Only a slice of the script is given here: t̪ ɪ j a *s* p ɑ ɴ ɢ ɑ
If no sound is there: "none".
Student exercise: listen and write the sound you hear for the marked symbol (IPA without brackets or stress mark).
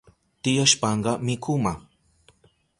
ʃ